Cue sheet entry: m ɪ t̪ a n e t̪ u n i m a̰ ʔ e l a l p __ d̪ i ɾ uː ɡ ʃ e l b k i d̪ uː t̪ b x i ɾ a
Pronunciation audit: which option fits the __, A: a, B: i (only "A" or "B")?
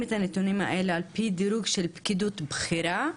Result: B